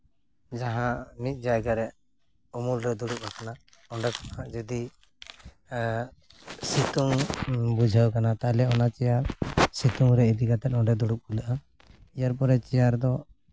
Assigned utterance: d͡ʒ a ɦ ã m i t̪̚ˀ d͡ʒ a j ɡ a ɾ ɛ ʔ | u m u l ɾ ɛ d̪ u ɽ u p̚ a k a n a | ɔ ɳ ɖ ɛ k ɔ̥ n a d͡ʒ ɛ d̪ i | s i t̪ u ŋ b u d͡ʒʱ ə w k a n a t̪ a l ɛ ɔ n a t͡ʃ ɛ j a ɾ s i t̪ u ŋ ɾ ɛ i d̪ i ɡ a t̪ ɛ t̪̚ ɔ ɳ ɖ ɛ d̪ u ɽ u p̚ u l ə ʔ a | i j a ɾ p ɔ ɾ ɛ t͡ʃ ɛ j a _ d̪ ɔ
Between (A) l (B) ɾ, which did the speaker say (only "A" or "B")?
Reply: B